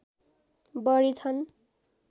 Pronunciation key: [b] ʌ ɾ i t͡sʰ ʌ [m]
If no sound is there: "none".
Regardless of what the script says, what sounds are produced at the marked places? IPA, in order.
b, n

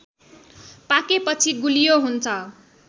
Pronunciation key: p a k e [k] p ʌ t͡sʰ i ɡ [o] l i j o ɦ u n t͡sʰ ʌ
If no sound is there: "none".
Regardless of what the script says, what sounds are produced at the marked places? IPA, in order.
none, u

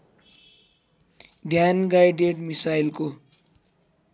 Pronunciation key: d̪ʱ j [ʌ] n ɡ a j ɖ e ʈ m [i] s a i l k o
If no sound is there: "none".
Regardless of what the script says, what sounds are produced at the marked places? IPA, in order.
a, i

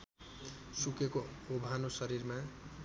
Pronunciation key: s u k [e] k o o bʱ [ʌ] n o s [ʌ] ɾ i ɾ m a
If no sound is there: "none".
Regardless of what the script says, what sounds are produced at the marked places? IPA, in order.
e, a, ʌ

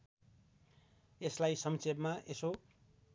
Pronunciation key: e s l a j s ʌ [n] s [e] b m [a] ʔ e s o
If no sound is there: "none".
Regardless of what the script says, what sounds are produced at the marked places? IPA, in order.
m, e, a

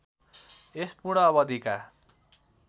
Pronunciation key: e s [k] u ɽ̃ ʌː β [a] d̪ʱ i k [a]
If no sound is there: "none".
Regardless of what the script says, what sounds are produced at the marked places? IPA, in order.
p, ʌ, a

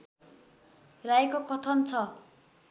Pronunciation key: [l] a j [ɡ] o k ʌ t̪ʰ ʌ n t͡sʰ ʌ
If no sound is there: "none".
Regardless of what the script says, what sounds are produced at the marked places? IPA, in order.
r, k

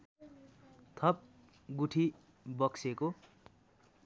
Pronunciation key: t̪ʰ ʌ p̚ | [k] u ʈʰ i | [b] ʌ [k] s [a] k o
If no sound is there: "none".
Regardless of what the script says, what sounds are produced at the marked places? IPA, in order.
ɡ, b, k, e

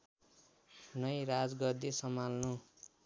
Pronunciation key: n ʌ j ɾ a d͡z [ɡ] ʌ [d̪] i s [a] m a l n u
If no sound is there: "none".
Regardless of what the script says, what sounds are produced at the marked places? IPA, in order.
ɡ, d̪, ʌ

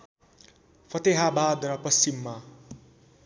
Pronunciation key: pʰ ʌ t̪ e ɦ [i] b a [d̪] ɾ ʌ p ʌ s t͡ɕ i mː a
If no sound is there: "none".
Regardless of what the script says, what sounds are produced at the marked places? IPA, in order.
a, d̪

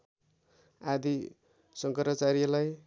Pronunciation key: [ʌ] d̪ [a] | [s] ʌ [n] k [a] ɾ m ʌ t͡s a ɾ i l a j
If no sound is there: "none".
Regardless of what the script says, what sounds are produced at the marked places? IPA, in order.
a, i, s, ŋ, ʌ

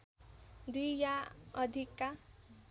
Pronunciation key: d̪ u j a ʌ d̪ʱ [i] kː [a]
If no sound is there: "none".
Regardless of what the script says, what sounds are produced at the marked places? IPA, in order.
i, a

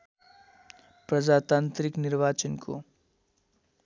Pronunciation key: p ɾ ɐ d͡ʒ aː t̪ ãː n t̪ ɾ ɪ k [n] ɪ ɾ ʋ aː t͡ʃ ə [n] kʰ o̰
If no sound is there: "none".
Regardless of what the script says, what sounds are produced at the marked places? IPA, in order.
n, n

